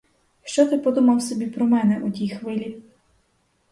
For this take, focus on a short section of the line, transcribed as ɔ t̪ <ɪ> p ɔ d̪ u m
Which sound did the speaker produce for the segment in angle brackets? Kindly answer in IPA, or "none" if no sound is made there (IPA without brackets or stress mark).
ɪ